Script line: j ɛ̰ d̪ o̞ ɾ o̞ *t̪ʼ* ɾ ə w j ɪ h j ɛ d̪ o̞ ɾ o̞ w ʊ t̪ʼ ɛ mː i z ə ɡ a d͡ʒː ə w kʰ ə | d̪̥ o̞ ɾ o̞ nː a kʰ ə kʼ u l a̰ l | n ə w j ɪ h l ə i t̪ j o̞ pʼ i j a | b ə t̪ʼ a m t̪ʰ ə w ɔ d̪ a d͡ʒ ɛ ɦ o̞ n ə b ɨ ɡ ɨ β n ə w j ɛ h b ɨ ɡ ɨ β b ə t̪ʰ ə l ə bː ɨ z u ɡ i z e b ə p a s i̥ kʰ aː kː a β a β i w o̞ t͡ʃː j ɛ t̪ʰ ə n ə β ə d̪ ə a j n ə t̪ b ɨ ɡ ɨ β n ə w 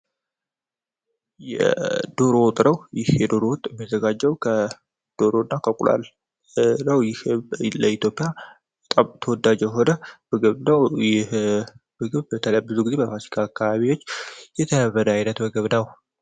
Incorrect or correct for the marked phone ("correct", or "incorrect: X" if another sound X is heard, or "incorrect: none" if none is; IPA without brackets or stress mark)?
correct